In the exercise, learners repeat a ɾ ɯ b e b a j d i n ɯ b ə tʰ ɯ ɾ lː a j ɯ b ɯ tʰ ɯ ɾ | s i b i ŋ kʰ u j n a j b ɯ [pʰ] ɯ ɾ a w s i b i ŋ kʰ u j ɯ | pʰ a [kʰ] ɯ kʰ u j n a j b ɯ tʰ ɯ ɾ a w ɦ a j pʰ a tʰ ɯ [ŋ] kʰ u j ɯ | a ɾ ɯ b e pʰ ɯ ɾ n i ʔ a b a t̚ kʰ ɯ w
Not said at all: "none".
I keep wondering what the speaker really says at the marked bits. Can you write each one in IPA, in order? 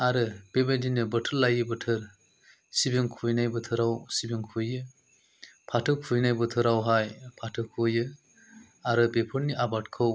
tʰ, tʰ, none

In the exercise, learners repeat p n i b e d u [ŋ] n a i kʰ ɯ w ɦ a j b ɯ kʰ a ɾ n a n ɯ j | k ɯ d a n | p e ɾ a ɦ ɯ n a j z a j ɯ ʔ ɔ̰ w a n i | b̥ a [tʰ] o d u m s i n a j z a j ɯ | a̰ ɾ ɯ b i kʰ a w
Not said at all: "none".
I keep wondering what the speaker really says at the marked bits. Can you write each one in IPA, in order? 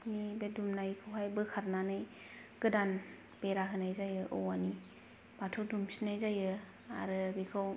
m, tʰ

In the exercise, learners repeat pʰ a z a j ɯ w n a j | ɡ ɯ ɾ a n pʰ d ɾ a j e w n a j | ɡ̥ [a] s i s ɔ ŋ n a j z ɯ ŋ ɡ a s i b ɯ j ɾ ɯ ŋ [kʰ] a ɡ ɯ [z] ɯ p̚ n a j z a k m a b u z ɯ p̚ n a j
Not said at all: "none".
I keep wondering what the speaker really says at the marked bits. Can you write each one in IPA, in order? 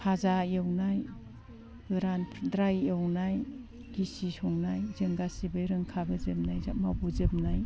i, kʰ, z

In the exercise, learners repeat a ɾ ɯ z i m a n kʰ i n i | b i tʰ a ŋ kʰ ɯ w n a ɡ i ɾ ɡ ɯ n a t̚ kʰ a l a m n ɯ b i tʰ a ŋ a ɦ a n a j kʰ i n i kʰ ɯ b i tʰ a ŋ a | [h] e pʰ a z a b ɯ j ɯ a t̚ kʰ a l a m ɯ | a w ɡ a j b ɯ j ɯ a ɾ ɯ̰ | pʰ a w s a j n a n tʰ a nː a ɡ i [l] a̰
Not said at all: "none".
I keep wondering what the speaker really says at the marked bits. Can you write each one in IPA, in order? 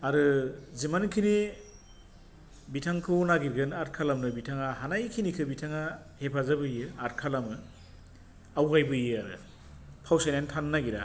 h, ɾ

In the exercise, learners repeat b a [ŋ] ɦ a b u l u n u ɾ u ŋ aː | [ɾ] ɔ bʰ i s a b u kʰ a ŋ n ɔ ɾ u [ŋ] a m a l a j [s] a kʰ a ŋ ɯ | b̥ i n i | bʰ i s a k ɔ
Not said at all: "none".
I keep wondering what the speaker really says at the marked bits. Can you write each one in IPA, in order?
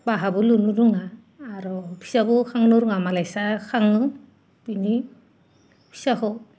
none, ɾ, ŋ, s

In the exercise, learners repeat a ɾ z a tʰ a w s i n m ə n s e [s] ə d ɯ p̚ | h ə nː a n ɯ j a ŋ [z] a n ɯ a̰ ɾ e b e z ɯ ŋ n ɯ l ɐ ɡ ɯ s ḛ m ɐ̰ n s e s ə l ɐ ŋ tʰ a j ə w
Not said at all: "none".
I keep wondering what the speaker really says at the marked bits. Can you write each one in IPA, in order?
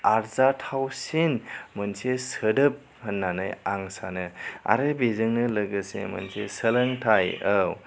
s, s

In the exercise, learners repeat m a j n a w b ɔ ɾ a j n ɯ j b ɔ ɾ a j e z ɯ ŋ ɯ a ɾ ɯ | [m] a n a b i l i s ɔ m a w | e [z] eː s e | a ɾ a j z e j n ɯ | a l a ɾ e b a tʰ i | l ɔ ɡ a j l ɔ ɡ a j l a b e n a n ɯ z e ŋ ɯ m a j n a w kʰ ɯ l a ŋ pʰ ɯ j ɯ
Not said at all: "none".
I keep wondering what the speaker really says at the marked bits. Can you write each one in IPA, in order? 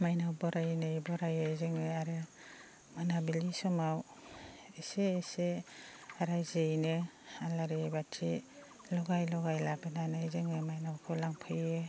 m, s

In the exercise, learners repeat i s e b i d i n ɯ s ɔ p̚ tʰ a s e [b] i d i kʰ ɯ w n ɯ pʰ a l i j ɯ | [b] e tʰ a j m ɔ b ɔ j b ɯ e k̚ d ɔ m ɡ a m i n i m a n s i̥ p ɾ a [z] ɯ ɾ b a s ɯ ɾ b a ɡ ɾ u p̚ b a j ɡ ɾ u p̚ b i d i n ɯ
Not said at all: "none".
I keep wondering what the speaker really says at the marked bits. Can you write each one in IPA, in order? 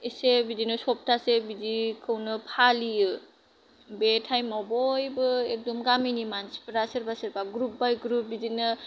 b, b, s

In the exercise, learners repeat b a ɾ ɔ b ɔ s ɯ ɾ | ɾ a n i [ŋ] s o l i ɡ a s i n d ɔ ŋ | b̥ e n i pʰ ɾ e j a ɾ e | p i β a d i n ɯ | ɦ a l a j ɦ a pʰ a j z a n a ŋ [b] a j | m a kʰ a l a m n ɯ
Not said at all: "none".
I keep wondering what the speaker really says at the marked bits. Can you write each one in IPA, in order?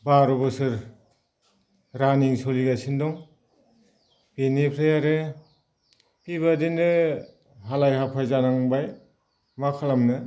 ŋ, b

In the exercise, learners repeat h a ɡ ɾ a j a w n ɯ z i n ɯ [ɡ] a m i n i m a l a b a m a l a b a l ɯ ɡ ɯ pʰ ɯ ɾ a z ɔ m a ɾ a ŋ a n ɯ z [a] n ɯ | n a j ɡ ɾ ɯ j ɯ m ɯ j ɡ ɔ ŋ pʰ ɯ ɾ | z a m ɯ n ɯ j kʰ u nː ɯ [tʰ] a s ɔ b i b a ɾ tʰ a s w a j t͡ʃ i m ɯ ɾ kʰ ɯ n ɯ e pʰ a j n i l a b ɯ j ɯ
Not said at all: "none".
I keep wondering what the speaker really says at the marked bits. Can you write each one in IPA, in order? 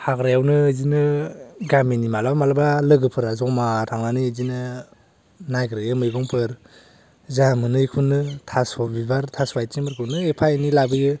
ɡ, i, tʰ

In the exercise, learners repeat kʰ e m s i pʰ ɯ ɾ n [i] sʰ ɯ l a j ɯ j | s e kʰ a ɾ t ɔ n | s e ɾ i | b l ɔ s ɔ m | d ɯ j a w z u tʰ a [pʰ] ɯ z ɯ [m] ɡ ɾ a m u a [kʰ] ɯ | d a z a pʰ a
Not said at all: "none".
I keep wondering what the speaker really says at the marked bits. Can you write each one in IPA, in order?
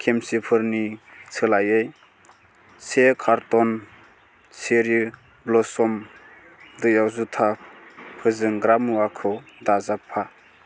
i, pʰ, ŋ, kʰ

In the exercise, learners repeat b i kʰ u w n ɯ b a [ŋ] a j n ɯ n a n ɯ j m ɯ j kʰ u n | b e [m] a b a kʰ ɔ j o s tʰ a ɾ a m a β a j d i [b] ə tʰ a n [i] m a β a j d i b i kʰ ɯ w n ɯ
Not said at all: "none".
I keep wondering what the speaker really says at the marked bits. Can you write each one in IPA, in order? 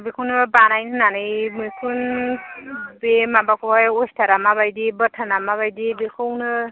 n, m, b, a

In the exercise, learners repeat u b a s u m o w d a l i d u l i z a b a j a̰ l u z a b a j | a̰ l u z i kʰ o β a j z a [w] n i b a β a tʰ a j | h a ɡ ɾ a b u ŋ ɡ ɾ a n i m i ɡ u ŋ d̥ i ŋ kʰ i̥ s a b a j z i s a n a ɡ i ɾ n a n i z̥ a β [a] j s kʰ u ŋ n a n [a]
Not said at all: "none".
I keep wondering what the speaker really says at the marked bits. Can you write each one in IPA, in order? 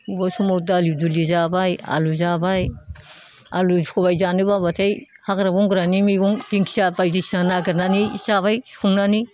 none, a, i

